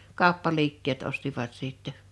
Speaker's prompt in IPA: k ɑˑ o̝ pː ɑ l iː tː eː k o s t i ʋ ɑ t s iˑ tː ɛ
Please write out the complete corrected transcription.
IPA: k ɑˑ o̝ pː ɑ l iː kː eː t o s t i ʋ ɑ t s iˑ tː ɛ